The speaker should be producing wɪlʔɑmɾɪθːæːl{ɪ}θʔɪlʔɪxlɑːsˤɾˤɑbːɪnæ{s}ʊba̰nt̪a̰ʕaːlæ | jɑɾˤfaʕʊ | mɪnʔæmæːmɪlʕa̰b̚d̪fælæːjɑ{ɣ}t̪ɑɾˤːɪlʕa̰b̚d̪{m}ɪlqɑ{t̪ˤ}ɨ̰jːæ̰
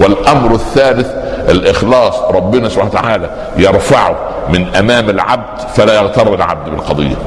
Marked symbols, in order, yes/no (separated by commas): yes, yes, yes, no, no